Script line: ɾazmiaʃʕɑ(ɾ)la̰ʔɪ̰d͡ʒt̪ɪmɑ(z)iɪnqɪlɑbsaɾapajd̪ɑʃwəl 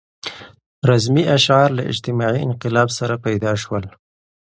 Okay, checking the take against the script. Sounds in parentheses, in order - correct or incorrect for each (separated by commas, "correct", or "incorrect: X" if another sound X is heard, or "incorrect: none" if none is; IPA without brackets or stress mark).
correct, incorrect: ʕ